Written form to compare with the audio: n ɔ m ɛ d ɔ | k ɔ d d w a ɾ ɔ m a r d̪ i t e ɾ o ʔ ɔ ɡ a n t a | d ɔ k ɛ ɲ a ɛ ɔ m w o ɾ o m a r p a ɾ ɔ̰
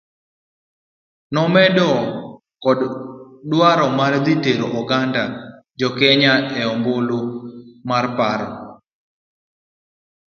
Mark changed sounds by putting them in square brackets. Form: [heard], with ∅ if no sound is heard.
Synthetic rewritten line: n ɔ m ɛ d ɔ | k ɔ d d w a ɾ ɔ m a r d̪ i t e ɾ o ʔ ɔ ɡ a n [d] a | [d͡ʒ] ɔ k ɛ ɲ a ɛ ɔ m [b] o [l] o m a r p a ɾ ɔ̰